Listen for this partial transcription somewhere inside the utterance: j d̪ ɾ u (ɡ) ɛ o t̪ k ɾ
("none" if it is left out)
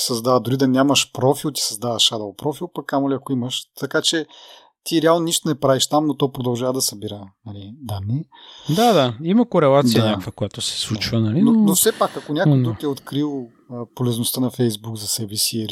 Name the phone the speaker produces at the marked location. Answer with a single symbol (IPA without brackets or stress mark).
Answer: k